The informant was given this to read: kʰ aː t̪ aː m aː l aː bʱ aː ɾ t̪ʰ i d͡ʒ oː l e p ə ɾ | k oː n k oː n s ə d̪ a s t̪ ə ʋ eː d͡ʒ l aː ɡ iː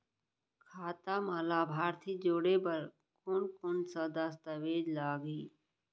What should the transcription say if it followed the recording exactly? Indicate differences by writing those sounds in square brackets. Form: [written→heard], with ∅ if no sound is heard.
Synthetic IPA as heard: kʰ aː t̪ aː m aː l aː bʱ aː ɾ t̪ʰ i d͡ʒ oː [l→ɽ] e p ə ɾ | k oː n k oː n s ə d̪ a s t̪ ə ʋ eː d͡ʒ l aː ɡ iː